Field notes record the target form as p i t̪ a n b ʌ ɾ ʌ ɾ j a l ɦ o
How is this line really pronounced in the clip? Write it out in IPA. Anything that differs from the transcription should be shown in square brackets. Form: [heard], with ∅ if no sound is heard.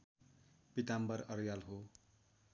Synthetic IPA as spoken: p i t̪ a [m] b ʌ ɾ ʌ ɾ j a l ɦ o